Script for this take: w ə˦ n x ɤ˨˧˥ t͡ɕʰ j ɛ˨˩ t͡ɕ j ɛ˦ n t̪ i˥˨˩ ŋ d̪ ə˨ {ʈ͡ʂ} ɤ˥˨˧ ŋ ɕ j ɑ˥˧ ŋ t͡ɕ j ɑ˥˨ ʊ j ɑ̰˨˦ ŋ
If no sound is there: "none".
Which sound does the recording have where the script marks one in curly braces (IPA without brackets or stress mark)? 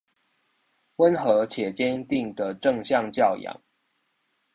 ʈ͡ʂ